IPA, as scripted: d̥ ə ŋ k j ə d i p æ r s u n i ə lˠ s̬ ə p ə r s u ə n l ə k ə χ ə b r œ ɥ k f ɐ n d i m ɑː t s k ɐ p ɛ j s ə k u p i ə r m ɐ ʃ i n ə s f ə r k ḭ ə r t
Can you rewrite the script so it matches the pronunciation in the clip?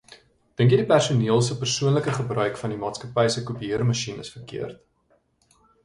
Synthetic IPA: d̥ ə ŋ k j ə d i p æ r s u n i ə lˠ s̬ ə p ə r s u ə n l ə k ə χ ə b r œ ɥ k f ɐ n d i m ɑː t s k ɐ p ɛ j s ə k u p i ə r m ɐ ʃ i n ə s f ə r k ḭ ə r t